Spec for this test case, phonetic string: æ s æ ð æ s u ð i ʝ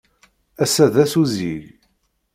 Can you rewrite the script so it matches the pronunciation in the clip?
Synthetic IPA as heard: æ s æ ð æ s u z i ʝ